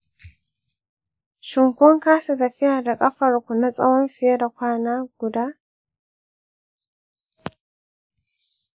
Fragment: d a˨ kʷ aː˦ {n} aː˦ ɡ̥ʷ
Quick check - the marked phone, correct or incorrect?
correct